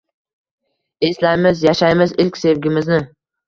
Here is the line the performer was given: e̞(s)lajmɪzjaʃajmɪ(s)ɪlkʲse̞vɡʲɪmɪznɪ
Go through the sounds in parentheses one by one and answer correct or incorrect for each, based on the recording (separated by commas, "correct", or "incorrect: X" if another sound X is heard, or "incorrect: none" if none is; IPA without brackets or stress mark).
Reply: correct, incorrect: z